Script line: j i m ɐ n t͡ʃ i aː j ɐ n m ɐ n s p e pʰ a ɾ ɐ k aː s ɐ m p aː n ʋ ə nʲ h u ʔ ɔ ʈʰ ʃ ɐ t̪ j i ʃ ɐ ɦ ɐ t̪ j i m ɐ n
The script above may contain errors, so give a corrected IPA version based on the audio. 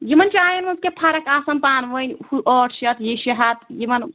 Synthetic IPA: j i m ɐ n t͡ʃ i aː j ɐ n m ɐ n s k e pʰ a ɾ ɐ k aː s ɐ m p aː n ʋ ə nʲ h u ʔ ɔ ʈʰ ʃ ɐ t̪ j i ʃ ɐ ɦ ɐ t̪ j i m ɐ n